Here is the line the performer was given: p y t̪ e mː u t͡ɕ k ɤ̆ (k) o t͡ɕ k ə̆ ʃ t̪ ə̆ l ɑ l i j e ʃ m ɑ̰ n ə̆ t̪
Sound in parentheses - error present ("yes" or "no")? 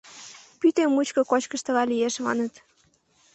no